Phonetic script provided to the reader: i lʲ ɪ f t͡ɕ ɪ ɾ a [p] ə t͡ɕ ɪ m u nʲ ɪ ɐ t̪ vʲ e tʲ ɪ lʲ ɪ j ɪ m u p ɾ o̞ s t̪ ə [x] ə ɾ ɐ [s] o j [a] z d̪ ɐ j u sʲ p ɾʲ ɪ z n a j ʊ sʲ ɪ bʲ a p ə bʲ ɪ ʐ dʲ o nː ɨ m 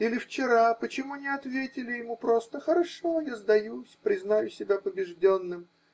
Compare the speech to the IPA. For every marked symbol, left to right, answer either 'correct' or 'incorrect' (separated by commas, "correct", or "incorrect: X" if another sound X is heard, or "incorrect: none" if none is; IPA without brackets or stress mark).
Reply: correct, correct, incorrect: ʂ, correct